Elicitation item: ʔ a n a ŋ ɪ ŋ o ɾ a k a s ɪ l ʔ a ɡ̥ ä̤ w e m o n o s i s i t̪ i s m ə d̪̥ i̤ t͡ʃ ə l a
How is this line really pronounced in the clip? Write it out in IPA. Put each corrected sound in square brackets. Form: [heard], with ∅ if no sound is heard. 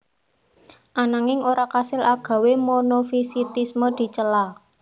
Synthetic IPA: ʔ a n a ŋ ɪ ŋ o ɾ a k a s ɪ l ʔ a ɡ̥ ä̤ w e m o n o [f] i s i t̪ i s m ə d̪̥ i̤ t͡ʃ ə l a